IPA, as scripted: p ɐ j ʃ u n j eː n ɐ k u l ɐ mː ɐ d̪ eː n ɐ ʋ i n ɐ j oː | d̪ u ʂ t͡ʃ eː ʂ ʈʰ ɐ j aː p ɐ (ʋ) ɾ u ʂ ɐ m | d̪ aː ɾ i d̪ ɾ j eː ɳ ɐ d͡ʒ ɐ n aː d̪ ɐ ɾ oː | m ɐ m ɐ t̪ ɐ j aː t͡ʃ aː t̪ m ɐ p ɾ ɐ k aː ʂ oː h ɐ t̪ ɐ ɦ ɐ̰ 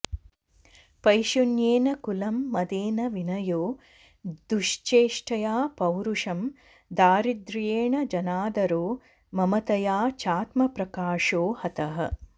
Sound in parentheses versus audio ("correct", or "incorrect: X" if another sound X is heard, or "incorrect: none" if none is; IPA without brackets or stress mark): incorrect: w